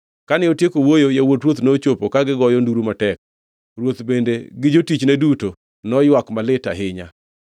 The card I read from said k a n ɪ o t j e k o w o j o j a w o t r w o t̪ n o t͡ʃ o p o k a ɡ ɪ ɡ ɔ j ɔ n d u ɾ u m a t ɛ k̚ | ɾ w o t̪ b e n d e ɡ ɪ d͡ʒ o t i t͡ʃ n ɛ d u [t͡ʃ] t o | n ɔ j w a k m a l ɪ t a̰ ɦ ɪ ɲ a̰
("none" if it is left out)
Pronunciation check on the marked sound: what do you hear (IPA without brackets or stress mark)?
none